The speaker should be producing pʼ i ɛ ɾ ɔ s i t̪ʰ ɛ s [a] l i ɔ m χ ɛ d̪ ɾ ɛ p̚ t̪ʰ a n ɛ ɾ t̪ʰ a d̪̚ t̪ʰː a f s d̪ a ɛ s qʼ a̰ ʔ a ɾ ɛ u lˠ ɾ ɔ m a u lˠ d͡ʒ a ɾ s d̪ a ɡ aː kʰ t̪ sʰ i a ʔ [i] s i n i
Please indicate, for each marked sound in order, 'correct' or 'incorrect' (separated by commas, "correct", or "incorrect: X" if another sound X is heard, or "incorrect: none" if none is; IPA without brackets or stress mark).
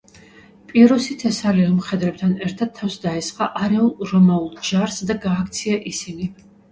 correct, correct